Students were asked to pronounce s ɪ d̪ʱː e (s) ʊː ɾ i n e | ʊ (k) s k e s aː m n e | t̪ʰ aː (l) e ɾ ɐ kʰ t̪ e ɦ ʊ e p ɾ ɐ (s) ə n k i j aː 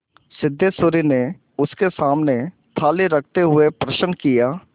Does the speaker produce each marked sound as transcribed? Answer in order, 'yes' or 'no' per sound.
yes, no, yes, no

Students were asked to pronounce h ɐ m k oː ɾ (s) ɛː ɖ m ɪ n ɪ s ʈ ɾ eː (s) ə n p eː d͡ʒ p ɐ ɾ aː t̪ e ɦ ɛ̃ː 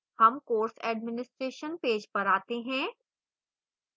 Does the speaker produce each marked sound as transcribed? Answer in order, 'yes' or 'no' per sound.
yes, no

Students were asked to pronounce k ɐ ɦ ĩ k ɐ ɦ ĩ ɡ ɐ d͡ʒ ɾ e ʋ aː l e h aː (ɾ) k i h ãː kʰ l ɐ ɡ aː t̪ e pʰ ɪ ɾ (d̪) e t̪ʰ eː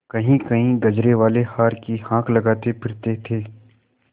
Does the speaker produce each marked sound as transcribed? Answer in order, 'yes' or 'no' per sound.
yes, no

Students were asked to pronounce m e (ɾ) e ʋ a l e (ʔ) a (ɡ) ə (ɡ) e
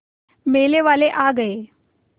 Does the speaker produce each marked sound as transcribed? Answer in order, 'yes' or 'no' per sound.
no, yes, yes, no

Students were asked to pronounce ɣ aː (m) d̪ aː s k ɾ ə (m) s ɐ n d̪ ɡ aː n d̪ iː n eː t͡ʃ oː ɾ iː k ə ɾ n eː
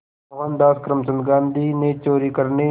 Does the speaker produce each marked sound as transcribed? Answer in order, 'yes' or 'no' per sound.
no, yes

